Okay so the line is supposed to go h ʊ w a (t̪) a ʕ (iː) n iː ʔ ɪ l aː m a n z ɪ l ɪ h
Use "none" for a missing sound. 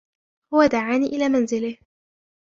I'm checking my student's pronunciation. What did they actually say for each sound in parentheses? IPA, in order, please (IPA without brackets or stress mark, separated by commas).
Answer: d̪, aː